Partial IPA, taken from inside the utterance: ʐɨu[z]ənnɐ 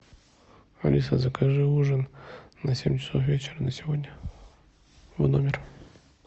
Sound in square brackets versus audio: incorrect: ʐ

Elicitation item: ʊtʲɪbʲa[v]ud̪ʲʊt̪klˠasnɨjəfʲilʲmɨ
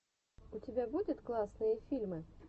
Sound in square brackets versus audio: incorrect: b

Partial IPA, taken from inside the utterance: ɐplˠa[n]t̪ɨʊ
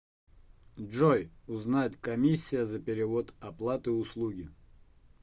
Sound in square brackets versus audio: incorrect: none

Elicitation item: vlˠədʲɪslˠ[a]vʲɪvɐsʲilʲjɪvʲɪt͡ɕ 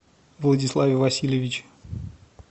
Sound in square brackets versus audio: correct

